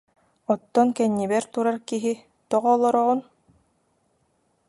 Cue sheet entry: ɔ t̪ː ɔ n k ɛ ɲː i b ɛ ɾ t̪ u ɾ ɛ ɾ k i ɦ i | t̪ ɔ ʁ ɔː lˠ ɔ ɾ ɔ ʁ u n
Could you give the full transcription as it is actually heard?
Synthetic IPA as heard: ɔ t̪ː ɔ n k ɛ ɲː i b ɛ ɾ t̪ u ɾ a ɾ k i ɦ i | t̪ ɔ ʁ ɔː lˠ ɔ ɾ ɔ ʁ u n